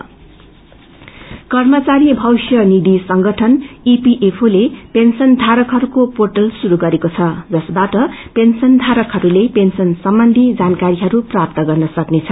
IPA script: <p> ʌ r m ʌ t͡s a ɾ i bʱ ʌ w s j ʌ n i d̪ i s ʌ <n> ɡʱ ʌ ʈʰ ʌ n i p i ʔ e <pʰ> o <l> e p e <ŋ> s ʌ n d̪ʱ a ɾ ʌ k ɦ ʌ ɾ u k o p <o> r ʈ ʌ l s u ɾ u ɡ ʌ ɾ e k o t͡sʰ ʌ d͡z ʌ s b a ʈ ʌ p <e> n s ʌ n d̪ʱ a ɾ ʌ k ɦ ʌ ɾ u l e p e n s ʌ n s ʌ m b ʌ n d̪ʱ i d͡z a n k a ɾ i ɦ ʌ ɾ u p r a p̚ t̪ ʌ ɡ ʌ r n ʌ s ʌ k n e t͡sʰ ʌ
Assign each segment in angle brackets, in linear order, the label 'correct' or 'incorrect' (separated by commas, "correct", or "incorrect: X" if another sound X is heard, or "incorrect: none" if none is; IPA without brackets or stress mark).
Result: incorrect: k, incorrect: ŋ, correct, correct, incorrect: n, correct, correct